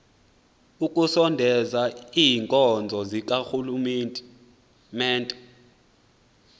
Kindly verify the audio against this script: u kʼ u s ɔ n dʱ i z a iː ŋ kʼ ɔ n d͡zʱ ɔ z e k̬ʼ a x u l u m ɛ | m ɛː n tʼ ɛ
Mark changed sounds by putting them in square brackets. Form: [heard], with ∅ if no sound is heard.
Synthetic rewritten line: u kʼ u s ɔ n dʱ [ɛ] z a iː ŋ kʼ ɔ n d͡zʱ ɔ z [i] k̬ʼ a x u l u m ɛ | m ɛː n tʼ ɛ

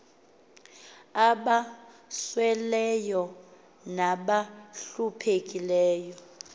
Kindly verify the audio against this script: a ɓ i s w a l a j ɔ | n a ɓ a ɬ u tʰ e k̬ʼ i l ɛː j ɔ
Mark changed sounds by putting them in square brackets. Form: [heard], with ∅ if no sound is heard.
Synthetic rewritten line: a ɓ [a] s w [ɛ] l [ɛ] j ɔ | n a ɓ a ɬ u [pʰ] e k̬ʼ i l ɛː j ɔ

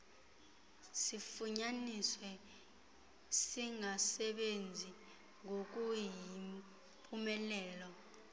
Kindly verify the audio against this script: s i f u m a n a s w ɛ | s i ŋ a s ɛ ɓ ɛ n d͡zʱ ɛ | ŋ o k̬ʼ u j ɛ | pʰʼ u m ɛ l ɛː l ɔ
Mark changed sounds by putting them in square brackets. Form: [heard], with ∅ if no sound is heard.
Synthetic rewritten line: s i f u [ɲ] a n [i] s w ɛ | s i ŋ a s ɛ ɓ [e] n d͡zʱ [i] | ŋ o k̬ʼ u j [i] | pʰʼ u m ɛ l ɛː l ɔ

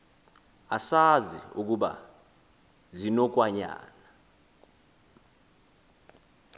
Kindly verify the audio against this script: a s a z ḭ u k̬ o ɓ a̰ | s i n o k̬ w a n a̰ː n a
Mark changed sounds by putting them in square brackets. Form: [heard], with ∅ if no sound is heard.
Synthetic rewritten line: a s a z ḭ u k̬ [u] ɓ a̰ | [z] i n [ɔ] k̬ w a [ɲ] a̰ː n a

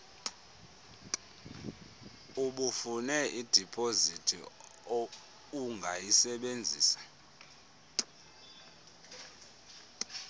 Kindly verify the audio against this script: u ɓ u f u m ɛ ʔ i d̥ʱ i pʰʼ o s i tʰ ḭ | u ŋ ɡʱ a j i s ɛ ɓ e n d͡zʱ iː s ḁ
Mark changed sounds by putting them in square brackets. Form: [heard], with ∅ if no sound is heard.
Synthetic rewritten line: u ɓ u f u [n] ɛ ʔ i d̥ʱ i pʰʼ o [z] i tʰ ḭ | u ŋ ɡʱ a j i s ɛ ɓ e n d͡zʱ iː s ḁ

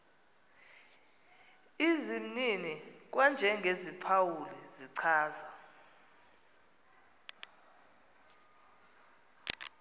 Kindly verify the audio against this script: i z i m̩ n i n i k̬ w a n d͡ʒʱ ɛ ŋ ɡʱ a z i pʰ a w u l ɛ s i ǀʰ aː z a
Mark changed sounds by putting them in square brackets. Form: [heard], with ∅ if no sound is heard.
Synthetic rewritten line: i z i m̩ n i n i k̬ w a n d͡ʒʱ ɛ ŋ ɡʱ [e] z i pʰ a w u l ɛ [z] i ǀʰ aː z a

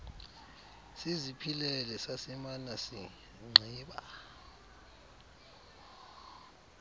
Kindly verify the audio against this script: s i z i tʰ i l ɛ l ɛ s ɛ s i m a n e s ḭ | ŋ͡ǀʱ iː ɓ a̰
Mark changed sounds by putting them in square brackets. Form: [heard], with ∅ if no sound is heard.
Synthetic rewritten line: s i z i [pʰ] i l ɛ l ɛ s [a] s i m a n [a] s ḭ | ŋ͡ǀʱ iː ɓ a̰

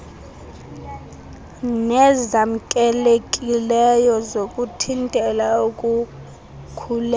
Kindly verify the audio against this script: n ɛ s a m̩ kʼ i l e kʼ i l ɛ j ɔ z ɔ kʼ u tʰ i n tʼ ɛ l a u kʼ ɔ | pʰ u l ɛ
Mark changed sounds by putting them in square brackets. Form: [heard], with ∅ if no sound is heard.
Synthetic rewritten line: n ɛ [z] a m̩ kʼ [ɛ] l e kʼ i l ɛ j ɔ z [o] kʼ u tʰ i n tʼ ɛ l a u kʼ [u] | [kʰ] u l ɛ

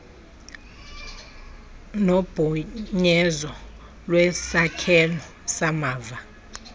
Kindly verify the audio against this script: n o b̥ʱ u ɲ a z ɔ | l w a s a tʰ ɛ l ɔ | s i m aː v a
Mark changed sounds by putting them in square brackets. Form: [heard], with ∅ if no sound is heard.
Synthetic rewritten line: n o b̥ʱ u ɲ [ɛ] z ɔ | l w [ɛ] s a [kʰ] ɛ l ɔ | s [a] m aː v a

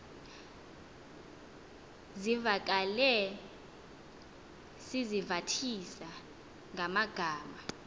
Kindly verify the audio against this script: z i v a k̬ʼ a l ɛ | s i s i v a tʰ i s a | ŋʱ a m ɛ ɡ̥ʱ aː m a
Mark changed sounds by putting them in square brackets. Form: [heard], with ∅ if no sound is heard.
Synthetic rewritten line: z i v a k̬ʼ a l ɛ | s i [z] i v a tʰ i s a | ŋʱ a m [a] ɡ̥ʱ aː m a

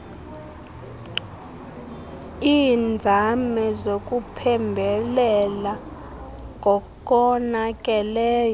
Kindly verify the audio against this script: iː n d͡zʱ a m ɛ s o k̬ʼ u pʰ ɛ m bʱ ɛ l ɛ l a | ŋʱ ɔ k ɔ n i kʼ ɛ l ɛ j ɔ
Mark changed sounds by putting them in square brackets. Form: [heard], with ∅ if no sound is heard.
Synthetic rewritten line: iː n d͡zʱ a m ɛ [z] o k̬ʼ u pʰ ɛ m bʱ ɛ l ɛ l a | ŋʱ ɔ k ɔ n [a] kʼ ɛ l [ɛː] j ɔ

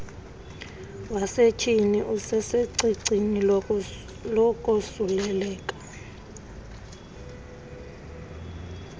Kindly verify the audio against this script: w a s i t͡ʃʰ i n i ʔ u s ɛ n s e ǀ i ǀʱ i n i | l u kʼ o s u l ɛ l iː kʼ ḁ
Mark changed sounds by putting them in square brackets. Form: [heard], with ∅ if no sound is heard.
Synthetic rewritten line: w a s [e] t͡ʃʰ i n i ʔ u s ɛ [∅] s e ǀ i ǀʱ i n i | l [ɔ] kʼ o s u l ɛ l [ɛː] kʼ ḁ

